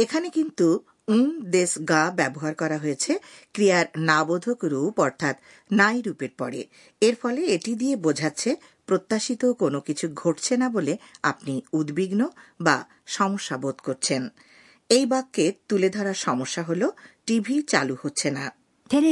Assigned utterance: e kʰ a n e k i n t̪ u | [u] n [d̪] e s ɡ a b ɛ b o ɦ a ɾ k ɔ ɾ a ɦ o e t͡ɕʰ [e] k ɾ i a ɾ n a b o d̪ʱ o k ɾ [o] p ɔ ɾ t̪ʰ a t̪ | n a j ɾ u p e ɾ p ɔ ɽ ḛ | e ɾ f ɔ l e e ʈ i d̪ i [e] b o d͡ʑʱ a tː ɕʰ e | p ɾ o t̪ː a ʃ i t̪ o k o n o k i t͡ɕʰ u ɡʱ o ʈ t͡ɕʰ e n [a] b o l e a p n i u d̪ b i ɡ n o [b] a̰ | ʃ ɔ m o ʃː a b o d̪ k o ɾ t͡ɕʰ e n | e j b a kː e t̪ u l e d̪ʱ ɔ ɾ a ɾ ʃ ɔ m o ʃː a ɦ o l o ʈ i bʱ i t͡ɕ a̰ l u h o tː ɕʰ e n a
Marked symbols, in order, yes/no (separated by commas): yes, yes, yes, no, yes, yes, yes